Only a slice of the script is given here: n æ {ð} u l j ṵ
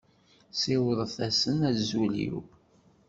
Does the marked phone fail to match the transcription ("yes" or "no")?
yes